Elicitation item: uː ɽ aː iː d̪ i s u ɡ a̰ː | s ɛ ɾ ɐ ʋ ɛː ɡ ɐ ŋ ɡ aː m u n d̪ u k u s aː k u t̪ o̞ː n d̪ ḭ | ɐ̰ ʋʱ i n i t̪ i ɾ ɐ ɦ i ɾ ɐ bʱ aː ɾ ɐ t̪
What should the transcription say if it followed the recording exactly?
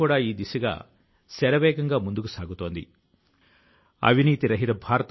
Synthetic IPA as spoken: uː ɽ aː iː d̪ i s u ɡ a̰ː | s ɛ ɾ ɐ ʋ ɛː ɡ ɐ ŋ ɡ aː m u n d̪ u k u s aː ɡ u t̪ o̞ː n d̪ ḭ | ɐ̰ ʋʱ i n iː t̪ i ɾ ɐ ɦ i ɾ ɐ bʱ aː ɾ ɐ t̪

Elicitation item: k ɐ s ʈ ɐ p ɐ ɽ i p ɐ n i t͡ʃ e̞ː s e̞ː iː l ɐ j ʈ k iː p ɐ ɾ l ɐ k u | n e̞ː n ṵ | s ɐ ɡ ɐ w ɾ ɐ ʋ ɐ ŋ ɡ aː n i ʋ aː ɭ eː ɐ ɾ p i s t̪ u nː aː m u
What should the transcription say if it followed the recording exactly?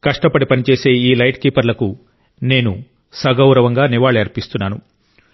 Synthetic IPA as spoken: k ɐ ʂ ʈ ɐ p ɐ ɽ i p ɐ n i t͡ʃ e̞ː s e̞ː iː l ɐ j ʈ k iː p ɐ ɾ l ɐ k u | n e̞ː n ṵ | s ɐ ɡ ɐ w ɾ ɐ ʋ ɐ ŋ ɡ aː n i ʋ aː ɭ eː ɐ ɾ p i s t̪ u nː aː n u

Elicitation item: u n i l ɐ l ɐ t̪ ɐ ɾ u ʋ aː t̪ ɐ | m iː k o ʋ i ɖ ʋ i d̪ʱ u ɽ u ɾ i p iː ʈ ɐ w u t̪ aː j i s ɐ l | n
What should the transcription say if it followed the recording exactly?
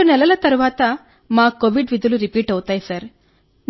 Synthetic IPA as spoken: u n ɛ l ɐ l ɐ t̪ ɐ ɾ u ʋ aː t̪ ɐ | m aː k o ʋ i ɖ ʋ i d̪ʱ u l u ɾ i p iː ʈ ɐ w u t̪ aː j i s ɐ ɾ | n

